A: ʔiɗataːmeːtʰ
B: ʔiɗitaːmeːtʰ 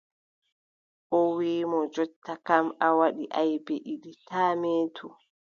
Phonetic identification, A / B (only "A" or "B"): B